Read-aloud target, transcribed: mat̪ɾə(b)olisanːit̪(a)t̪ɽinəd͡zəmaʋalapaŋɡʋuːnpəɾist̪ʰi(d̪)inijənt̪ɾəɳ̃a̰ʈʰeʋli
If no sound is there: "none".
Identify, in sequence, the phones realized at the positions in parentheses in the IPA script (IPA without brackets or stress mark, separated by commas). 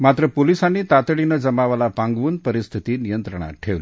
p, a, t̪